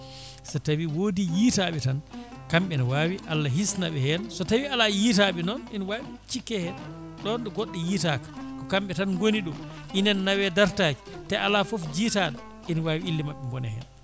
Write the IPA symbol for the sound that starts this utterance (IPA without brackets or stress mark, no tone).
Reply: s